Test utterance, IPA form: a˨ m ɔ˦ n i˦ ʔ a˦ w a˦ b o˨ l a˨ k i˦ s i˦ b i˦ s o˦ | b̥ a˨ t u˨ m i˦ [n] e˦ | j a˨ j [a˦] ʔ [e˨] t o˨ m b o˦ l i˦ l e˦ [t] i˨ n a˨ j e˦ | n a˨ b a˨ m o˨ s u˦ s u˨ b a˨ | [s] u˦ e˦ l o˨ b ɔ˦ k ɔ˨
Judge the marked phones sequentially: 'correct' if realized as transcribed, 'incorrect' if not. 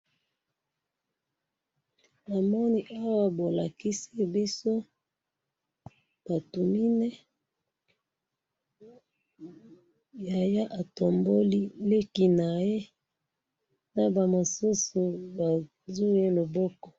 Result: correct, correct, incorrect, incorrect, incorrect

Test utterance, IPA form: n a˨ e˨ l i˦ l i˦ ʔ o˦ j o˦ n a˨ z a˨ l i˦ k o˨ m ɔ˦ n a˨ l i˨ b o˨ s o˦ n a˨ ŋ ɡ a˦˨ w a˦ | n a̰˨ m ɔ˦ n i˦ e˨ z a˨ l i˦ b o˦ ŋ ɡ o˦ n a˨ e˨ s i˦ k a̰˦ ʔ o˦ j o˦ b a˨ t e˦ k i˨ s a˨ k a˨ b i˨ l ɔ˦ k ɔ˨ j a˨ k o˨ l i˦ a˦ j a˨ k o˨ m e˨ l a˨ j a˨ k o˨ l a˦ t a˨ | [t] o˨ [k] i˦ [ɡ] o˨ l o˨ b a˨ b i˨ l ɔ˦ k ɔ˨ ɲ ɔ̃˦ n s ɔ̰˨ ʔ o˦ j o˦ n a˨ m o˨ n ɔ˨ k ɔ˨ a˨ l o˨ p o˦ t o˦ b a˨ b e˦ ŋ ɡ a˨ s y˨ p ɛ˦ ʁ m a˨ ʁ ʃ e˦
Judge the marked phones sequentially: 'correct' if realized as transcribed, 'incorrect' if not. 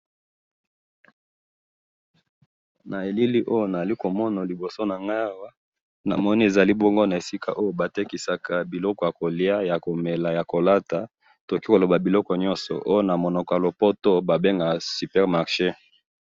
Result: correct, correct, incorrect

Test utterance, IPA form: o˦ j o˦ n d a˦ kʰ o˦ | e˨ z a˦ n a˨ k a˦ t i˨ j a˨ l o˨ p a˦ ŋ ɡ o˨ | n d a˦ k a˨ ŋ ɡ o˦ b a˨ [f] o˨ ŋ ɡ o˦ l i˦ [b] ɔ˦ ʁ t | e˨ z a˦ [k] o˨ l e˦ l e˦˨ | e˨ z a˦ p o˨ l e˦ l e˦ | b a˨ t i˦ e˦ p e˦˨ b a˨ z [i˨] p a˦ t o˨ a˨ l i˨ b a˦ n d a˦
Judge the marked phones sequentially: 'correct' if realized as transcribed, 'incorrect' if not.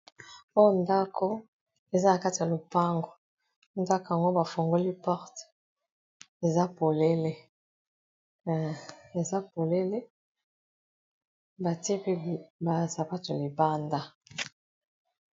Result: correct, incorrect, incorrect, incorrect

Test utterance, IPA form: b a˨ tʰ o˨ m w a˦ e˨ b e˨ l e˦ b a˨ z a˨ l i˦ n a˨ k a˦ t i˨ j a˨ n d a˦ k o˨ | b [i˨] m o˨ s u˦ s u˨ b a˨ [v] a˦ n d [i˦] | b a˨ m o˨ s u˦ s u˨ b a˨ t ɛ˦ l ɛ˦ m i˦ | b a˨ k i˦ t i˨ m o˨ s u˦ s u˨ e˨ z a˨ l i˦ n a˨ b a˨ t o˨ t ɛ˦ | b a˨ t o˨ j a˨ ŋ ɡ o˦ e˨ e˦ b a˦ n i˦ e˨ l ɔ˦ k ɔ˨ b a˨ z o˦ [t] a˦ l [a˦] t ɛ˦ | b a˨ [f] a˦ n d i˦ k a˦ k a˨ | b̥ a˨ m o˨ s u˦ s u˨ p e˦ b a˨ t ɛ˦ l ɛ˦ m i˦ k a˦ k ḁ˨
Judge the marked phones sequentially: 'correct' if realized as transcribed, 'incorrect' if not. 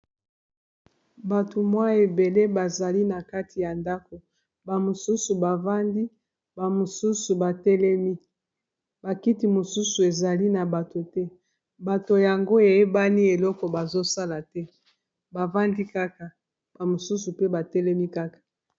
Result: incorrect, correct, correct, incorrect, incorrect, incorrect

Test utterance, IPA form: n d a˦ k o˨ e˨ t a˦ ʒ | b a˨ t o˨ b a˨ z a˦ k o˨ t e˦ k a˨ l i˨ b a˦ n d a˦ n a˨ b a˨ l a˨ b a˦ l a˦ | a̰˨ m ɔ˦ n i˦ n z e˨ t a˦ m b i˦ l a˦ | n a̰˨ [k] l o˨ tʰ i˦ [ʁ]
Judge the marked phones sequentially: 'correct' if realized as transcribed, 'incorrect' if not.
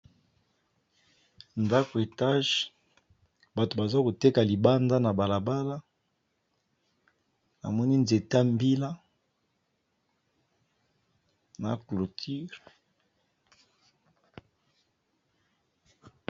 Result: correct, correct

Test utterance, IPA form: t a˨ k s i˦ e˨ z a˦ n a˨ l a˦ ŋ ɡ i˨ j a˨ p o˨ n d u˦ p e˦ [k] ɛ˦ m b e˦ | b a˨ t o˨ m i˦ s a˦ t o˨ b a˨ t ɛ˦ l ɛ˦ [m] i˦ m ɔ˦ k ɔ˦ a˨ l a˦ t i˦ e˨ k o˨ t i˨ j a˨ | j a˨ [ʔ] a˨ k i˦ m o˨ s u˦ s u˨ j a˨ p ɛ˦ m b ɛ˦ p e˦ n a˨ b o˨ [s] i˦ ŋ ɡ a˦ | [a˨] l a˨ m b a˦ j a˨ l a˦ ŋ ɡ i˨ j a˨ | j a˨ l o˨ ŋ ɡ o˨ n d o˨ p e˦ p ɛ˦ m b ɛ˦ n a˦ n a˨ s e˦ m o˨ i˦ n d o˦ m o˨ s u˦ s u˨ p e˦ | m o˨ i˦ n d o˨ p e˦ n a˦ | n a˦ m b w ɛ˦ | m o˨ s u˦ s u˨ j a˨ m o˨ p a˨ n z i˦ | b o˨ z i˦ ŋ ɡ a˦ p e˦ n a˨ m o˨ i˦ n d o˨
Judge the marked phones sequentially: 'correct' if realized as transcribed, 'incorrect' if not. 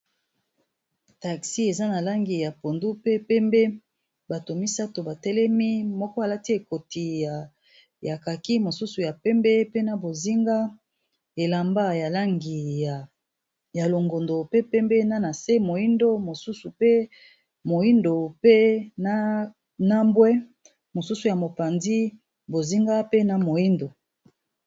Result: incorrect, correct, incorrect, incorrect, incorrect

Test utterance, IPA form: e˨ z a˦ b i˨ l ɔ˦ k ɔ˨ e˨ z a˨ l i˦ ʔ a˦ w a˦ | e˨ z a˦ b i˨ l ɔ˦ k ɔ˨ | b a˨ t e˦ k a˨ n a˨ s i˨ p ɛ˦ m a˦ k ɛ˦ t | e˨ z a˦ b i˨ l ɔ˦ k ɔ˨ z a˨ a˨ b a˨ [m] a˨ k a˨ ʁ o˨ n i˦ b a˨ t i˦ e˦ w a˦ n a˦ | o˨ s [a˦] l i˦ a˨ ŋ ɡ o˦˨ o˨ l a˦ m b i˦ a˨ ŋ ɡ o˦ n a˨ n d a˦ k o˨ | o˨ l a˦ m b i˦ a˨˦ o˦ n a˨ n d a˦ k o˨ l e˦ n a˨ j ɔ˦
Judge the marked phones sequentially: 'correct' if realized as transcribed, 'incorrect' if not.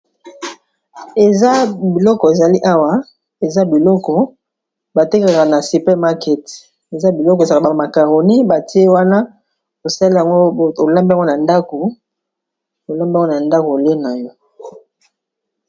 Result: correct, correct

